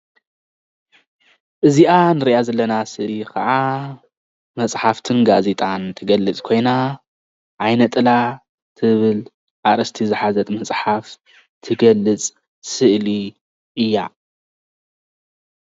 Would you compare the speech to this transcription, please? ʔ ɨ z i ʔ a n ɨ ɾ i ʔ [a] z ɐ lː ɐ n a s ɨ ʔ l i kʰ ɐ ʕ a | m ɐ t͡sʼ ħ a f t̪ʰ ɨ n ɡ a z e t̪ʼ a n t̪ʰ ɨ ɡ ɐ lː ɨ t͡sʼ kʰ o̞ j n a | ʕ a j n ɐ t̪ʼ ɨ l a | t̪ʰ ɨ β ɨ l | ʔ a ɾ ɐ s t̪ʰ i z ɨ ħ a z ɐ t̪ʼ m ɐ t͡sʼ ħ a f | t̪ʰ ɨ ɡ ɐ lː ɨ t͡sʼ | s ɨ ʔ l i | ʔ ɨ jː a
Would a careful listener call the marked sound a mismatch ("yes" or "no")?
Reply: no